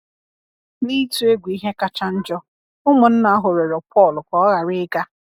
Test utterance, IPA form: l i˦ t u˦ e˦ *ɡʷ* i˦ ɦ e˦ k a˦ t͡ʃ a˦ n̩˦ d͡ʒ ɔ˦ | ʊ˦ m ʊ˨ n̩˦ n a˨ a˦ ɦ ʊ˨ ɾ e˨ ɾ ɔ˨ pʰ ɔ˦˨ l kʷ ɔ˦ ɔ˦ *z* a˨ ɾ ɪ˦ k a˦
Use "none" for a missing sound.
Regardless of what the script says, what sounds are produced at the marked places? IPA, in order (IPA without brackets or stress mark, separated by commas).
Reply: ɡʷ, ɣ